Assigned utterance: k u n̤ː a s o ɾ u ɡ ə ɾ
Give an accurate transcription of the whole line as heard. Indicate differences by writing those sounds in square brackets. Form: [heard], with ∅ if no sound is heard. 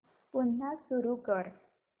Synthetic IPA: [p] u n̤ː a s [u] ɾ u [k] ə ɾ